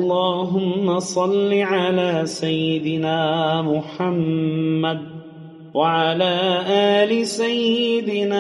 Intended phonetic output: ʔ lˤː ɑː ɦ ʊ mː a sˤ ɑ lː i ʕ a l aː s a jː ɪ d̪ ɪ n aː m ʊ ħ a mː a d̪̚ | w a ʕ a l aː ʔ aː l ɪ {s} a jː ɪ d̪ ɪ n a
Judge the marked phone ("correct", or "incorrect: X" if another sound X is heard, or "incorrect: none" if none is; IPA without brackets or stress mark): correct